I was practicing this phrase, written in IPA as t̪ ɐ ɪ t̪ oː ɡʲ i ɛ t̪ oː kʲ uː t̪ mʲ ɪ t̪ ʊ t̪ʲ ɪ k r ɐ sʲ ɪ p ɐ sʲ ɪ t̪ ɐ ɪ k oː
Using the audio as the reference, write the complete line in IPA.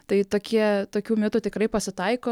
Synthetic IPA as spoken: t̪ ɐ ɪ t̪ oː kʲ i ɛ t̪ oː kʲ uː mʲ ɪ t̪ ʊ t̪ʲ ɪ k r ɐ ɪ p ɐ sʲ ɪ t̪ ɐ ɪ k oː